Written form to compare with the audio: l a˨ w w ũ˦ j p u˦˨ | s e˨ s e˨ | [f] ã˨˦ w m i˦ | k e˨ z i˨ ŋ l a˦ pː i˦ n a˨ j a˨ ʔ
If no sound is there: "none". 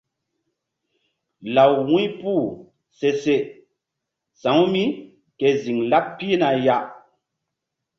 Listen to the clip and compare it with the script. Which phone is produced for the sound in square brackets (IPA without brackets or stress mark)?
s